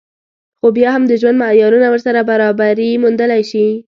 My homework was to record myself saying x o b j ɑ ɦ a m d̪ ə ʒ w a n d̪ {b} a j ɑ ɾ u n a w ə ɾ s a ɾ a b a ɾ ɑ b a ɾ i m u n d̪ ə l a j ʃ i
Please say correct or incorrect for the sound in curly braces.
incorrect